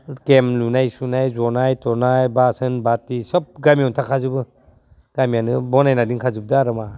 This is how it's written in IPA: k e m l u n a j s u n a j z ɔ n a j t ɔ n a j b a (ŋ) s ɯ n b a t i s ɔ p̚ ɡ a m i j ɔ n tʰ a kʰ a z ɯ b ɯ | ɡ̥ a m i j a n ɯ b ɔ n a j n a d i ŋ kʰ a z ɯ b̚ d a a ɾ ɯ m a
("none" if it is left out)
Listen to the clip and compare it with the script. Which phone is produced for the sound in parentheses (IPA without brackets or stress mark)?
none